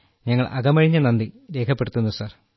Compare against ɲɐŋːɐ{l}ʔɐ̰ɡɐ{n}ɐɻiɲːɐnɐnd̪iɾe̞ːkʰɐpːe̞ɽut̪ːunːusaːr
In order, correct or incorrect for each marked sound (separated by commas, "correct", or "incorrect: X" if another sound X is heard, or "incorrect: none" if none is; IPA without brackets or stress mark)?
incorrect: ɭ, incorrect: m